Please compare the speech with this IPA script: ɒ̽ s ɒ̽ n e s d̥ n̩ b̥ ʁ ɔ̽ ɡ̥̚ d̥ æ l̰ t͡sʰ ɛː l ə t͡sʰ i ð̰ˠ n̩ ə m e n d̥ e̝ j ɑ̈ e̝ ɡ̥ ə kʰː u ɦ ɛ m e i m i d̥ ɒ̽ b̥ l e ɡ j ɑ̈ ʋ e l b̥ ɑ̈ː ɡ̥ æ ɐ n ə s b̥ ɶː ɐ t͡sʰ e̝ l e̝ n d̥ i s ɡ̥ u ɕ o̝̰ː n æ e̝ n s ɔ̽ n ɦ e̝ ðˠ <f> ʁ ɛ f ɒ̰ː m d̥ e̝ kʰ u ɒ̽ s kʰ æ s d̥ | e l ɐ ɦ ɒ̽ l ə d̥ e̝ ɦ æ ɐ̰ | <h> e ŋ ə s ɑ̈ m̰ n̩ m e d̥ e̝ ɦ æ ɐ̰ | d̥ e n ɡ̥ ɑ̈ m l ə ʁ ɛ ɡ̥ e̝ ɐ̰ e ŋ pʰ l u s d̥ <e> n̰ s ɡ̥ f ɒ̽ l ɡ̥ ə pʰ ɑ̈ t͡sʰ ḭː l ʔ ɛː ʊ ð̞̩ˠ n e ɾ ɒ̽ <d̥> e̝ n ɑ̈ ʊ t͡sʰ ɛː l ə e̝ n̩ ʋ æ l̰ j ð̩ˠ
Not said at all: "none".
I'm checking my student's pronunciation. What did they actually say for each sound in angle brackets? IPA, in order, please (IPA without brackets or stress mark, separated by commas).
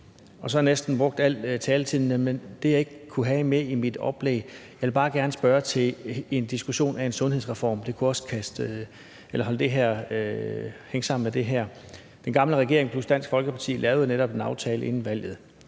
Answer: s, h, æ, b̥